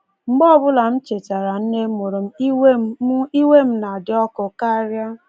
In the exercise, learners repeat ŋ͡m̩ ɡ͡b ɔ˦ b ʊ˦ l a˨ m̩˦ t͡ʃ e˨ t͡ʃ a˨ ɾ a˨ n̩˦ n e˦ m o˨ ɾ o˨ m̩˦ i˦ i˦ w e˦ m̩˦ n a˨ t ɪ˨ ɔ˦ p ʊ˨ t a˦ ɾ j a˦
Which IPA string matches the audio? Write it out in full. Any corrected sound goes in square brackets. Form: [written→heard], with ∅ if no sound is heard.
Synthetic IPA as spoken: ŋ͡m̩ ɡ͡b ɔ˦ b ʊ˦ l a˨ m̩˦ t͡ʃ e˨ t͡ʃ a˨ ɾ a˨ n̩˦ n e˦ m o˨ ɾ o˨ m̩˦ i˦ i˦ w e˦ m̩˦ n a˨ [t→d] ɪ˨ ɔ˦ [p→k] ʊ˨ [t→k] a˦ ɾ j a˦

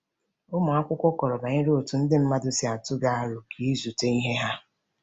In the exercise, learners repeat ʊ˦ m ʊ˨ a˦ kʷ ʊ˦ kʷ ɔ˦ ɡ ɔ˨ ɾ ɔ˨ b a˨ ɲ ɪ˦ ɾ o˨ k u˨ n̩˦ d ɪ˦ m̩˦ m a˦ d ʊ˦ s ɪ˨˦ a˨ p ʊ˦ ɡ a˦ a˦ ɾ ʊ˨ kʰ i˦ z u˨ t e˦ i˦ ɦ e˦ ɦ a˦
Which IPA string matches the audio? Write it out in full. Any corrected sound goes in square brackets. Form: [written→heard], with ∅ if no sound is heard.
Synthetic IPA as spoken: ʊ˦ m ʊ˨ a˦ kʷ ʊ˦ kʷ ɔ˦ [ɡ→k] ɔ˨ ɾ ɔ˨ b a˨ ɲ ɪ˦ ɾ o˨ [k→t] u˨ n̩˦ d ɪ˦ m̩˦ m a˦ d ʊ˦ s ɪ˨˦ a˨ [p→t] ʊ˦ ɡ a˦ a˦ ɾ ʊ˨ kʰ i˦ z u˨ t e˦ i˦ ɦ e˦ ɦ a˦

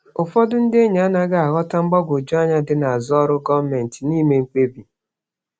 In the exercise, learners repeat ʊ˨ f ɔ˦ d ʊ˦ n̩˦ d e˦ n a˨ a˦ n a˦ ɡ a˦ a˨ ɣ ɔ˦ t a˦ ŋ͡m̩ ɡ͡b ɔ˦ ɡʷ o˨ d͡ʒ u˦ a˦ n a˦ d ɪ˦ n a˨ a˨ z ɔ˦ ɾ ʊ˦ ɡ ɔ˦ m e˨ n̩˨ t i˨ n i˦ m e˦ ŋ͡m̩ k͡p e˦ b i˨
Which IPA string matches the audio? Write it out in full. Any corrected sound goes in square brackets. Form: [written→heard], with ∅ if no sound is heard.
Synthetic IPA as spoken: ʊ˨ f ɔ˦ d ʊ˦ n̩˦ d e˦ [n→ɲ] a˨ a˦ n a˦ ɡ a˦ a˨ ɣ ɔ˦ t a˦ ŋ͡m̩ ɡ͡b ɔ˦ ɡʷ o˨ d͡ʒ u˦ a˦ [n→ɲ] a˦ d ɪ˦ n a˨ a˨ z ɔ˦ ɾ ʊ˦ ɡ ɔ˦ m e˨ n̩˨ t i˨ n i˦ m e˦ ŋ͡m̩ k͡p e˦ b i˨

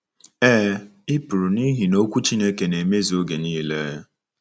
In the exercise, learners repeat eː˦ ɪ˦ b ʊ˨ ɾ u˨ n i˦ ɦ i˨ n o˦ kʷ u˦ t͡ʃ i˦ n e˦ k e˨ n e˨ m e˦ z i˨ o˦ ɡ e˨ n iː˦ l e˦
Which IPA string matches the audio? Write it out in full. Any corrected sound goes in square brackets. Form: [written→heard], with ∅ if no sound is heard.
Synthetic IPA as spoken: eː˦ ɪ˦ [b→p] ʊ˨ ɾ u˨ n i˦ ɦ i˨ n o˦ kʷ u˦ t͡ʃ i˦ n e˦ k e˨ n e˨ m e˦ z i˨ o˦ ɡ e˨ n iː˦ l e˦

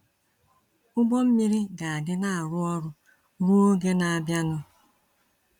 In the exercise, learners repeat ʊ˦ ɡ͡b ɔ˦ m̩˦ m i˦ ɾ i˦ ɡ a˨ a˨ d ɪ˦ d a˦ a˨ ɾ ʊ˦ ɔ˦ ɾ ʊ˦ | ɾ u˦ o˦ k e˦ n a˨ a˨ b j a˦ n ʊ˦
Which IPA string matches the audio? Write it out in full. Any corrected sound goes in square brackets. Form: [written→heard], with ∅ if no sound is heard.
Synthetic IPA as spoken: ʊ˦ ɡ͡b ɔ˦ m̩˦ m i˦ ɾ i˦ ɡ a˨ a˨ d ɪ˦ [d→n] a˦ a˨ ɾ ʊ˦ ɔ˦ ɾ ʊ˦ | ɾ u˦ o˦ [k→ɡ] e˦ n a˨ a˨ b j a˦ n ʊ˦

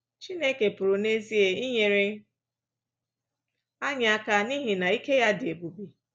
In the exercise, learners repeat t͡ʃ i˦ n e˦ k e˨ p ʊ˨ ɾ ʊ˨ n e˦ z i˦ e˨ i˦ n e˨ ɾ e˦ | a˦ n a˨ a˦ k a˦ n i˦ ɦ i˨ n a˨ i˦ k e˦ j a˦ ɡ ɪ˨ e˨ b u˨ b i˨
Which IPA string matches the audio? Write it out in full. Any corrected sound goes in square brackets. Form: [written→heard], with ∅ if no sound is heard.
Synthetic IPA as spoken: t͡ʃ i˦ n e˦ k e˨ p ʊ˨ ɾ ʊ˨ n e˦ z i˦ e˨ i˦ [n→ɲ] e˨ ɾ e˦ | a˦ [n→ɲ] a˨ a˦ k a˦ n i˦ ɦ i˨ n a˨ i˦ k e˦ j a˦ [ɡ→d] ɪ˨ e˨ b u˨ b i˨

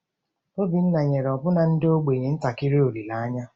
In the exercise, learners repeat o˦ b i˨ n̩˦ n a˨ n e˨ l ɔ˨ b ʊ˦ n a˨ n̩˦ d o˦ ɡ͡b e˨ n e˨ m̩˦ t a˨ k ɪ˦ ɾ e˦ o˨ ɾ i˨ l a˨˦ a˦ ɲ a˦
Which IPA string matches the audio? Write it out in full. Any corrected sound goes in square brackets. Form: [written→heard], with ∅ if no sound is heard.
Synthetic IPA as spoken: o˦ b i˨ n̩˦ n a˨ [n→ɲ] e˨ [l→ɾ] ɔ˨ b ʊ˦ n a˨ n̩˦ d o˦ ɡ͡b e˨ [n→ɲ] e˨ [m̩˦→n̩˦] t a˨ k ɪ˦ ɾ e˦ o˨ ɾ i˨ l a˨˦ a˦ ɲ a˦

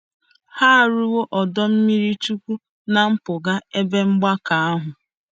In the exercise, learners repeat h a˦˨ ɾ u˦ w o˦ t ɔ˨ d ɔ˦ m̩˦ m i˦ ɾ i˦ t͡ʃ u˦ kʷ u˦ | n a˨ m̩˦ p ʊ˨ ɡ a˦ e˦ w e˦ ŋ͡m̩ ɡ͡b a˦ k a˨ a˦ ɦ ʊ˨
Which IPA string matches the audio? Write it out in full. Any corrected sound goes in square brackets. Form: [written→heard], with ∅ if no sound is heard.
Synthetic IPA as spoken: h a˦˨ ɾ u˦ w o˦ [t→ʔ] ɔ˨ d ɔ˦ m̩˦ m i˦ ɾ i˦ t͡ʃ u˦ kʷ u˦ | n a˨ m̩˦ p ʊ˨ ɡ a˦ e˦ [w→b] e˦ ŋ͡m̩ ɡ͡b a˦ k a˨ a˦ ɦ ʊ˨

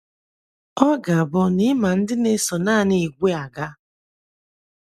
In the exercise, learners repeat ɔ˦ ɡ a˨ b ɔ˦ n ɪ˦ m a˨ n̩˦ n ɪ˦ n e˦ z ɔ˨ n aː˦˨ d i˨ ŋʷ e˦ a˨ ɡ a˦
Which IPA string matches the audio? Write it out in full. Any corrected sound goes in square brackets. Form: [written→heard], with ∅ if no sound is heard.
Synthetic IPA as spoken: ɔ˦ ɡ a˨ b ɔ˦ n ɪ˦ m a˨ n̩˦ [n→d] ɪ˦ n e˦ [z→s] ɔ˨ n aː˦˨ [d→n] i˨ [ŋʷ→ɡʷ] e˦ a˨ ɡ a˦

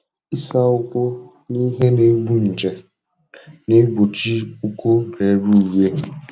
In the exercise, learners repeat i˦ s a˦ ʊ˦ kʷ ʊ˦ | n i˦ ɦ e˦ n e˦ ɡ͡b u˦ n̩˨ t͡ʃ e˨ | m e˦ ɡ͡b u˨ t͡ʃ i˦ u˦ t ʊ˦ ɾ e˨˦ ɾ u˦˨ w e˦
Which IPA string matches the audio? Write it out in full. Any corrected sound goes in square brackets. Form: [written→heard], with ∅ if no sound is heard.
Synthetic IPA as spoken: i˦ s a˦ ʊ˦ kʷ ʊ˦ | n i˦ ɦ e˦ n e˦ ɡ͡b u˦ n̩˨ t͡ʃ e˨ | [m→n] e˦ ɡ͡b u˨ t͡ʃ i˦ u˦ [t→k] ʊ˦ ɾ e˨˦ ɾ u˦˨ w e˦

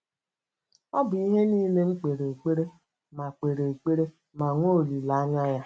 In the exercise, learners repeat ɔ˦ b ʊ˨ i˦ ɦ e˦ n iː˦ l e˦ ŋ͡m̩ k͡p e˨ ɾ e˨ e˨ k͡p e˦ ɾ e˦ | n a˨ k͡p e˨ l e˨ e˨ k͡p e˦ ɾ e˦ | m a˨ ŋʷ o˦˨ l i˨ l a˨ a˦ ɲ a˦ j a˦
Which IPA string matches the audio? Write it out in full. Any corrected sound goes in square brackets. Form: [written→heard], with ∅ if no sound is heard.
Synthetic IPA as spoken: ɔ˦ b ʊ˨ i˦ ɦ e˦ n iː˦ l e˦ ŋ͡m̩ k͡p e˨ ɾ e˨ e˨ k͡p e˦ ɾ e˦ | [n→m] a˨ k͡p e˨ [l→ɾ] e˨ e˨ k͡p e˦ ɾ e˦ | m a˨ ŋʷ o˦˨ l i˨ l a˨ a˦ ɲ a˦ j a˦

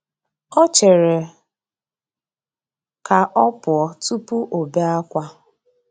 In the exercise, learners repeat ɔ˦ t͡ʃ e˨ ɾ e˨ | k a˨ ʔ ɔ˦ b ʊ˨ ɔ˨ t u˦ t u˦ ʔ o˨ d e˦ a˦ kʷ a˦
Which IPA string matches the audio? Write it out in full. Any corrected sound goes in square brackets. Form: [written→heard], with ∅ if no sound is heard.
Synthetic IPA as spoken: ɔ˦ t͡ʃ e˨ ɾ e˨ | k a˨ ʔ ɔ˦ [b→p] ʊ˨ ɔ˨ t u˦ [t→p] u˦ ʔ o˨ [d→b] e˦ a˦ kʷ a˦

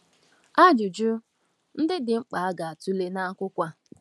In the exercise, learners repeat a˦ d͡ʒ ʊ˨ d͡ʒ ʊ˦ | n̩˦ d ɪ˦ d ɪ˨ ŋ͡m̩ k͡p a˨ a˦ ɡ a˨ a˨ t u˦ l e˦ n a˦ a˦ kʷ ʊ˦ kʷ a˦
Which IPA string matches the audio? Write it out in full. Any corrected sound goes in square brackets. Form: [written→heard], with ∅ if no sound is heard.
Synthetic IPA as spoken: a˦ d͡ʒ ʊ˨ d͡ʒ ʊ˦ | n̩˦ d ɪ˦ d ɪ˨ ŋ͡m̩ k͡p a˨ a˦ ɡ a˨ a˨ t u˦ l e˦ n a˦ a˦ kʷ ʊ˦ kʷ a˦

